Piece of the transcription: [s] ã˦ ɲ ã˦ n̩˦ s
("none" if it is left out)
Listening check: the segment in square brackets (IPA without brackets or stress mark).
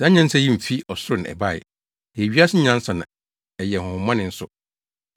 s